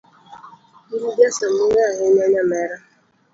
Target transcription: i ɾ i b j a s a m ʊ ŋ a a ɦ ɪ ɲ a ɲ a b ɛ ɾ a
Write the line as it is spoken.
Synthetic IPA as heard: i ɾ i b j a s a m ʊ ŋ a a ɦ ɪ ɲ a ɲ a m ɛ ɾ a